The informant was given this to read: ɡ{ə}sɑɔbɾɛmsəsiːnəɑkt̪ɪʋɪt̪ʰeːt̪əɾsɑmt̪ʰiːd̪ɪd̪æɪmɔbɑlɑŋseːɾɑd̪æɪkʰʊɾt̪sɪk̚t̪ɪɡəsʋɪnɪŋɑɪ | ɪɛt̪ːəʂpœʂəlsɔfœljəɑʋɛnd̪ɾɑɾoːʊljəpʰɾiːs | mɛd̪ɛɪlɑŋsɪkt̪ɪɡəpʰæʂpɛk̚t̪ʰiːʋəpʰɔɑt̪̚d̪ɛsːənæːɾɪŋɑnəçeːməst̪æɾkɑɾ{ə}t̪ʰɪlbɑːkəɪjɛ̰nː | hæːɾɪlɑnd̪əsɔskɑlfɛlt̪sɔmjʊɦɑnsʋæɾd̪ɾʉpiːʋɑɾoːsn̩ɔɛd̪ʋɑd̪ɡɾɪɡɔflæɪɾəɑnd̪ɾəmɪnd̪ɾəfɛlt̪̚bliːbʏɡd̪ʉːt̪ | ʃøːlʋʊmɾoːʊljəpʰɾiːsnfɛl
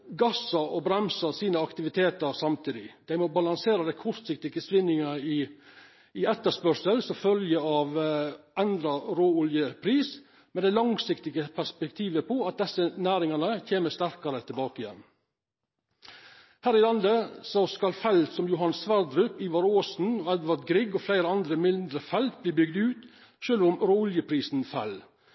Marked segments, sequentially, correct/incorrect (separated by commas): incorrect, correct